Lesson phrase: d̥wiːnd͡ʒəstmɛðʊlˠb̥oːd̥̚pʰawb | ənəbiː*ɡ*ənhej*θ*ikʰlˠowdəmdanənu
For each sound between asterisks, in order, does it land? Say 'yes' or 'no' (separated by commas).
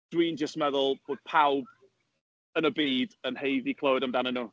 no, no